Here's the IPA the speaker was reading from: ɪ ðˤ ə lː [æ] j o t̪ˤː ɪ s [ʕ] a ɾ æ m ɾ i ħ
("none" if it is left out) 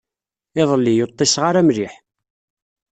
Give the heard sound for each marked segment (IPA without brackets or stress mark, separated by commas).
i, ʁ